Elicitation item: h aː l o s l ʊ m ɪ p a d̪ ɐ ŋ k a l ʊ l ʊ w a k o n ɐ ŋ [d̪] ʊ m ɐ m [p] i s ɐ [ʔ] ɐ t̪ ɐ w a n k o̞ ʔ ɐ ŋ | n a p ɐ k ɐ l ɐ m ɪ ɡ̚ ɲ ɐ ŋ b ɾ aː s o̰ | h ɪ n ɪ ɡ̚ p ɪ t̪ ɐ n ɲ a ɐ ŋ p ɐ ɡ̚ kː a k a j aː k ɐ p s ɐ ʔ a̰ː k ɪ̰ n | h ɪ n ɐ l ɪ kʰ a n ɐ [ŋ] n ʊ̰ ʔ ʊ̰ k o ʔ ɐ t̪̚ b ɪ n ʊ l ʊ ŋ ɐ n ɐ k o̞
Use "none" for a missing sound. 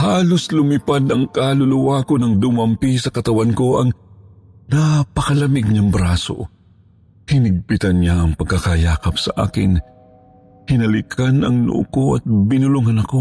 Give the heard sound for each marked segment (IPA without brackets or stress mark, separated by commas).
d̪, p, k, ŋ